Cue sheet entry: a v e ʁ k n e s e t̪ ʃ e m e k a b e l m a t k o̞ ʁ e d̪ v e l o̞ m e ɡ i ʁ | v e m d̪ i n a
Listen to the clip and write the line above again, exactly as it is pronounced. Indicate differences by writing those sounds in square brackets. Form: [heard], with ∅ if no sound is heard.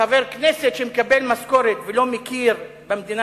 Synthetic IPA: a v e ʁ k n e s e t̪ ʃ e m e k a b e l m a [s] k o̞ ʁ e [t̪] v e l o̞ m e [k] i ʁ | [b] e m d̪ i n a